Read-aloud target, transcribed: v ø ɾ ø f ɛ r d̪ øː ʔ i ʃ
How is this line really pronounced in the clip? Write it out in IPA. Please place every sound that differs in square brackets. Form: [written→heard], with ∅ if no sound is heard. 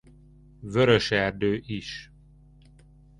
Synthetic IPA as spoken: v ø ɾ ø [f→ʃ] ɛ r d̪ øː ʔ i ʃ